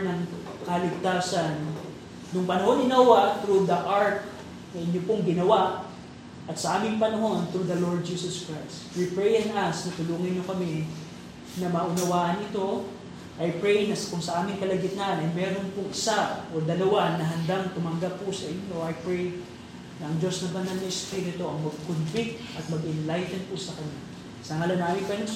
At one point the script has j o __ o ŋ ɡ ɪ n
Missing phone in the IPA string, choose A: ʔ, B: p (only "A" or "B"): B